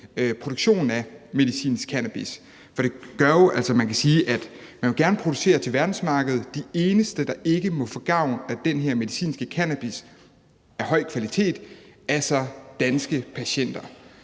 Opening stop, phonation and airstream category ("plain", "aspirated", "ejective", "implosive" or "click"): aspirated